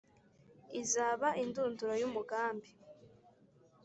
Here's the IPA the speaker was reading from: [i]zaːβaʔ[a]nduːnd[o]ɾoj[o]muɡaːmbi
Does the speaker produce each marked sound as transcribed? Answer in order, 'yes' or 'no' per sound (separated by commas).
yes, no, no, no